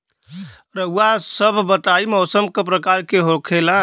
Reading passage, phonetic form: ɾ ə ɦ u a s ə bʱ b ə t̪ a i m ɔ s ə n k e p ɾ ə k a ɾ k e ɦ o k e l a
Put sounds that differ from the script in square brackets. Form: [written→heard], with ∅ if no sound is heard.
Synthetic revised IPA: ɾ ə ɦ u a s ə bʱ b ə t̪ a i m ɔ s ə [n→m] k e p ɾ ə k a ɾ k e ɦ o [k→kʰ] e l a